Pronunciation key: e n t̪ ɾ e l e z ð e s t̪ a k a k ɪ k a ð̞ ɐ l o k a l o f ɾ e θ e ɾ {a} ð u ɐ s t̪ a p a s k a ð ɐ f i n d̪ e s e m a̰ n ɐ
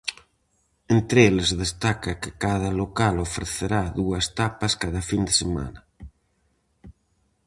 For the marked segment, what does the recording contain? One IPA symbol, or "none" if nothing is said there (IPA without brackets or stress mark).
a